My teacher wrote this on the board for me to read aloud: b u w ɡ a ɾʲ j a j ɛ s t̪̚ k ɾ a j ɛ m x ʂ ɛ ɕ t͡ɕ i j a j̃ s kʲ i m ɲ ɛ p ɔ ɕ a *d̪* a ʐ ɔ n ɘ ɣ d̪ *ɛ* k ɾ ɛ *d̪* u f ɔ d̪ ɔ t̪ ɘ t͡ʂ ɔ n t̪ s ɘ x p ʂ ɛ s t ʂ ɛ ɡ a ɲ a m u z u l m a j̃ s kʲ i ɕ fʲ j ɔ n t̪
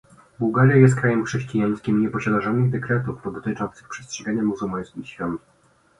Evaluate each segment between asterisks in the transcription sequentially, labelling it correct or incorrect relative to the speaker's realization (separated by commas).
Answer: correct, correct, incorrect